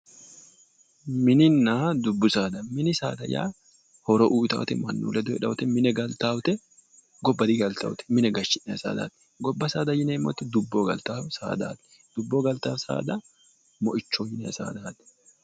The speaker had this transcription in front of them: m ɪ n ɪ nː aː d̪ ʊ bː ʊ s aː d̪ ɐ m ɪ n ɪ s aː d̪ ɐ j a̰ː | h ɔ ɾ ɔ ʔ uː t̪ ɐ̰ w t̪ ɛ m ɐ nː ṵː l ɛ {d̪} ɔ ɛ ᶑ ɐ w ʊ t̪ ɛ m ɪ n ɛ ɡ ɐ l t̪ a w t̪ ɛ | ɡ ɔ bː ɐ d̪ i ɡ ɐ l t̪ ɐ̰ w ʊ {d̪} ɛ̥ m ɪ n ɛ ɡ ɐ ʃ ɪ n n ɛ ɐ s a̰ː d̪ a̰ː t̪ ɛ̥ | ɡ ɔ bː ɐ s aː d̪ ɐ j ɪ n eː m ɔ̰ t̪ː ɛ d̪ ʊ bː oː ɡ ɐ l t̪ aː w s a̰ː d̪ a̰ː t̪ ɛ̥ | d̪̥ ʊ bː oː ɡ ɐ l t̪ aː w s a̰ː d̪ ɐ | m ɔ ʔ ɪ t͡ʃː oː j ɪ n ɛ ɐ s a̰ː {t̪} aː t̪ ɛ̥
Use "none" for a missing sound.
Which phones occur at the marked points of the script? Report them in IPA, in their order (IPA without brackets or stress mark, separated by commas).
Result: d̪, t̪, d̪